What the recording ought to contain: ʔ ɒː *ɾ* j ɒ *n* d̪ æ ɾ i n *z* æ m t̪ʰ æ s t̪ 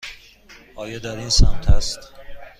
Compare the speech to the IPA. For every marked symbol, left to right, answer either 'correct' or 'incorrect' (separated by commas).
incorrect, incorrect, incorrect